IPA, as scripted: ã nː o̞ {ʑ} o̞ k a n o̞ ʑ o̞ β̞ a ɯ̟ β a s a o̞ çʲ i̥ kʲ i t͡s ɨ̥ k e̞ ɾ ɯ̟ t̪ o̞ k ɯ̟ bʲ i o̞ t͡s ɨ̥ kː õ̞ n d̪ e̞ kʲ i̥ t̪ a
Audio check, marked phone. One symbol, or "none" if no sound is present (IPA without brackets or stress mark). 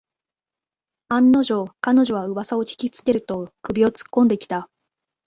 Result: ʑ